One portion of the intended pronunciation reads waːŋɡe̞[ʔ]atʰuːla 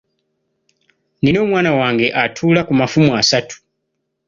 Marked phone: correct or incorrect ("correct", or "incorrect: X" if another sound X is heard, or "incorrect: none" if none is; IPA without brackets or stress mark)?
correct